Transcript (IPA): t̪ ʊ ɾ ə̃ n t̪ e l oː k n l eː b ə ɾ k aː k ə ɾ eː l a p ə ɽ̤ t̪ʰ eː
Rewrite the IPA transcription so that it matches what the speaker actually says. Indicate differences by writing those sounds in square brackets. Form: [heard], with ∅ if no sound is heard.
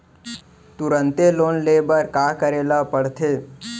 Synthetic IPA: t̪ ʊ ɾ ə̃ n t̪ e l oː [∅] n l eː b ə ɾ k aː k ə ɾ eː l a p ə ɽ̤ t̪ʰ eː